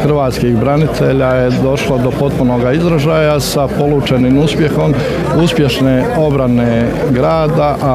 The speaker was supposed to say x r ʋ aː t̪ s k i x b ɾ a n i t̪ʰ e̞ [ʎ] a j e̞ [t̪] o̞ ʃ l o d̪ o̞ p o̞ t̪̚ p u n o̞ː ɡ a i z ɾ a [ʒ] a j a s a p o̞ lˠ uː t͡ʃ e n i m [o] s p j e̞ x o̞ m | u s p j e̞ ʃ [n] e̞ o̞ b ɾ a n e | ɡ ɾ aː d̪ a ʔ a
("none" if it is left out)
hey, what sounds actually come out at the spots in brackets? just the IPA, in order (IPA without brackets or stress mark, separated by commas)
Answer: ʎ, d̪, ʒ, u, n